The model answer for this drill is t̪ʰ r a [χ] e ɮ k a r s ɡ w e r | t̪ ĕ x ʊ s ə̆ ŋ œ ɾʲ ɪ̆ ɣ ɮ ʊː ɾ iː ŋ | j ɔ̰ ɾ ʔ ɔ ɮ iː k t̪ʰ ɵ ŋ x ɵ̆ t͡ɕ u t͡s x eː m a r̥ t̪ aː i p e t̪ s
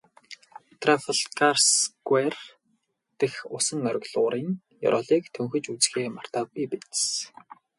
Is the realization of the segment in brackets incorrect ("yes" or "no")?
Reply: yes